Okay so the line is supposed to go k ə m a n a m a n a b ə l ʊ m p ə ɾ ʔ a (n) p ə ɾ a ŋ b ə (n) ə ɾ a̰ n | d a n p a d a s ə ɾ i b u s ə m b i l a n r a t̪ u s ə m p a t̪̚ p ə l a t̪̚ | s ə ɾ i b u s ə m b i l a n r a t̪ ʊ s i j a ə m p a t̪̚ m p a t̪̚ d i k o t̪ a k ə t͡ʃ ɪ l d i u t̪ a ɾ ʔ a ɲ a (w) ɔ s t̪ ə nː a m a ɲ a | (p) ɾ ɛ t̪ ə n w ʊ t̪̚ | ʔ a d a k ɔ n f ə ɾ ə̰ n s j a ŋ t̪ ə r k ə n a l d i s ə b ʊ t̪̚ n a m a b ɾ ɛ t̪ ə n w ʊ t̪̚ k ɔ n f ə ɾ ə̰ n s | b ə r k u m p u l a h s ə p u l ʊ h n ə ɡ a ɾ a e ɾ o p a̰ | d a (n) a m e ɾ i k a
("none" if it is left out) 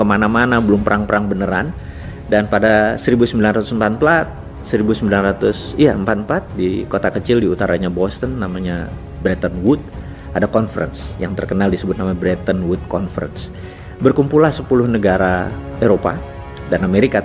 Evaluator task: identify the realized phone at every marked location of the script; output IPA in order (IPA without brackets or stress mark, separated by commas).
ŋ, n, b, b, n